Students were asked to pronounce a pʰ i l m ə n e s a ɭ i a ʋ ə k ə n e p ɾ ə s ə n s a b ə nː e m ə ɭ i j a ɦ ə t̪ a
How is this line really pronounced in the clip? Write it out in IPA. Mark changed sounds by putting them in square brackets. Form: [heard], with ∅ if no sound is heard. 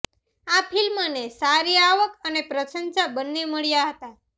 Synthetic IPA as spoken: a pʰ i l m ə n e s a [ɾ] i a ʋ ə k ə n e p ɾ ə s ə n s a b ə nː e m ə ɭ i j a ɦ ə t̪ a